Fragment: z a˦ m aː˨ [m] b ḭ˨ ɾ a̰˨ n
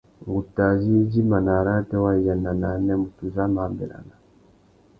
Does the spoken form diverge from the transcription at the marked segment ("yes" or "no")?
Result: no